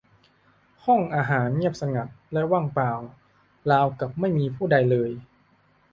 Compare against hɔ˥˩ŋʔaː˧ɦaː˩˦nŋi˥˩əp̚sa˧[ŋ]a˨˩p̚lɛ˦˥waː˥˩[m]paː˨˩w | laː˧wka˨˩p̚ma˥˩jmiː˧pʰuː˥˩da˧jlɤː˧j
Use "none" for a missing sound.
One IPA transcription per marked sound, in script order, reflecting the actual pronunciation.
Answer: ŋ, ŋ

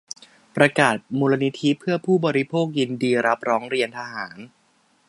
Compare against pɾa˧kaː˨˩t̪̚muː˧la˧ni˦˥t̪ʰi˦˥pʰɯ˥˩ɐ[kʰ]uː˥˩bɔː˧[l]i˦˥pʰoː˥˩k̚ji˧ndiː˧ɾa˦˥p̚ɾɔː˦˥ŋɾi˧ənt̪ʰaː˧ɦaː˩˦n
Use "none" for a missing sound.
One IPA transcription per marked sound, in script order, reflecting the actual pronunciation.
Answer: pʰ, ɾ

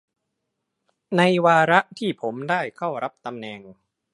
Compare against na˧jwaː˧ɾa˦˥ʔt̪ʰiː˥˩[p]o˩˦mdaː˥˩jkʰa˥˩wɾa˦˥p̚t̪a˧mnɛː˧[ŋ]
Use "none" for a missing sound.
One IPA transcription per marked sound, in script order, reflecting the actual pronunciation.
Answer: pʰ, ŋ

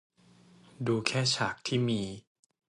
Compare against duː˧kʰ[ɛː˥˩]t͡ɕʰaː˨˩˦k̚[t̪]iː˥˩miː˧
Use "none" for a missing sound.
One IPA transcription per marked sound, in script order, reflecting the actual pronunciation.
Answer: ɛː˥˩, t̪ʰ

